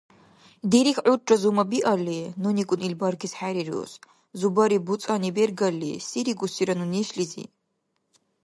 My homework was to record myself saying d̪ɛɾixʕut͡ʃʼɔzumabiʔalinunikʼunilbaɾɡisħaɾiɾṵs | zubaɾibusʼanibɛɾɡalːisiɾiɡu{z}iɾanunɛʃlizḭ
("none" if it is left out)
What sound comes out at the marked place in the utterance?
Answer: s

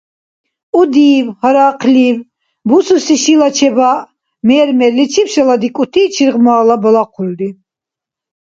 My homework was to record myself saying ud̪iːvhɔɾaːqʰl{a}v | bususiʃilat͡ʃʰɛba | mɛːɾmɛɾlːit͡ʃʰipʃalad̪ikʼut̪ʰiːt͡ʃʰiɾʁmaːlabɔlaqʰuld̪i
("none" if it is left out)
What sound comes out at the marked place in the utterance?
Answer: i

